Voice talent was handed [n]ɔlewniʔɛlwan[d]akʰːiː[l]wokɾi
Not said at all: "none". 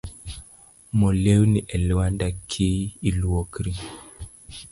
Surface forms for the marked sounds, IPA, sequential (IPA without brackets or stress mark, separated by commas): m, d, l